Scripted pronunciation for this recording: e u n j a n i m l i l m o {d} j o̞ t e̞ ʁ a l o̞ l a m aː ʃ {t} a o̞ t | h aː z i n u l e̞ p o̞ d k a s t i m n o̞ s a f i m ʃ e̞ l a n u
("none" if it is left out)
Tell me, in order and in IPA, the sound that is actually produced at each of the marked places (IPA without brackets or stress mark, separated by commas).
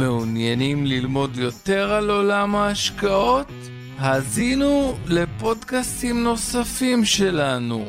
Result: d, k